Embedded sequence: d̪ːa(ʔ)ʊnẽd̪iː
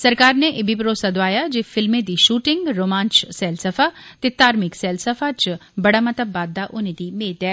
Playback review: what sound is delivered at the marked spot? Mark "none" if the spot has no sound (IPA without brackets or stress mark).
ʔ